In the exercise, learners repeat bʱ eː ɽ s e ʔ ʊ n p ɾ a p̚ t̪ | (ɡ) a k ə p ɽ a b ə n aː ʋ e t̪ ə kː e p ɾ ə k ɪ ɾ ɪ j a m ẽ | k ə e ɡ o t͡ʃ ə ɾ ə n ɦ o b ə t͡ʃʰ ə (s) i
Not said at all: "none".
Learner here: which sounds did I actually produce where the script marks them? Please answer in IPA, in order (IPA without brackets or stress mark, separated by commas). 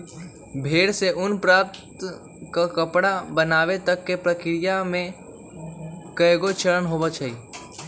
k, none